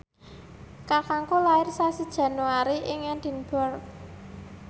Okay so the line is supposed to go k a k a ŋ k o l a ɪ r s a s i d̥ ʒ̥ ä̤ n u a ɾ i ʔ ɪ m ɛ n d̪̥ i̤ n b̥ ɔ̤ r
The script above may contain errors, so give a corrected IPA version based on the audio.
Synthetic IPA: k a k a ŋ k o l a ɪ r s a s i d̥ ʒ̥ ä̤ n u a ɾ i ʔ ɪ ŋ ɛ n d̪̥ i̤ n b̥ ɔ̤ r